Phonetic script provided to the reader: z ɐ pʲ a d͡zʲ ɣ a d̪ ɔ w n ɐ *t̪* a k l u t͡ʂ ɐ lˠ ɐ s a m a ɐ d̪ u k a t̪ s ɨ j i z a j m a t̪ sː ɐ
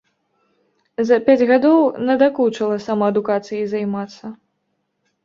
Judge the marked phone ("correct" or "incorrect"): incorrect